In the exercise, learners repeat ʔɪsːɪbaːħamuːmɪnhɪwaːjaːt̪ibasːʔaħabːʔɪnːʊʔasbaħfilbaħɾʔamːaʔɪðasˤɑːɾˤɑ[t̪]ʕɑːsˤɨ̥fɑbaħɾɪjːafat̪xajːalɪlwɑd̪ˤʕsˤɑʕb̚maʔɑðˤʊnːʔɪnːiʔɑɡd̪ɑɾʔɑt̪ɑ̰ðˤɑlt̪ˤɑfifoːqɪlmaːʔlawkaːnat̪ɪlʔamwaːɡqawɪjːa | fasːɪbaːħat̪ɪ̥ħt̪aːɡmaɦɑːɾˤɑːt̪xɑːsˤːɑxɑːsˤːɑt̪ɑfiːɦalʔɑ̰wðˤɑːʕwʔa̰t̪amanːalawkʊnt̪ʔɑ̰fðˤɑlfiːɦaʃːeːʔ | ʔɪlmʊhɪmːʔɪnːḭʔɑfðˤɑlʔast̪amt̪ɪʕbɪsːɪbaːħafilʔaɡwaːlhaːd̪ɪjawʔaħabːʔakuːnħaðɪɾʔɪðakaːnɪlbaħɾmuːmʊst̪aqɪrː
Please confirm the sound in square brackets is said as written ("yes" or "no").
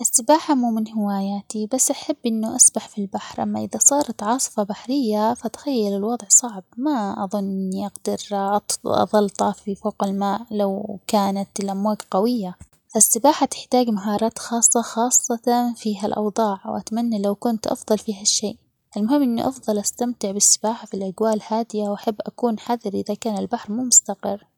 yes